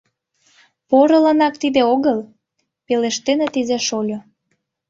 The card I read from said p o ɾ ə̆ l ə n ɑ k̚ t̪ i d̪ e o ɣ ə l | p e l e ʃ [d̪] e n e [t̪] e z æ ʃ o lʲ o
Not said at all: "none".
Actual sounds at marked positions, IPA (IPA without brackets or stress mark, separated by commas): t̪, t̪